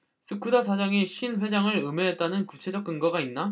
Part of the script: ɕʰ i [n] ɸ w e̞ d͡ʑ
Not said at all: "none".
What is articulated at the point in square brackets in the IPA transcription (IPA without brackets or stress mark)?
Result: n